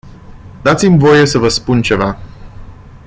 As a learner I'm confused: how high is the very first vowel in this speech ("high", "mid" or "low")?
low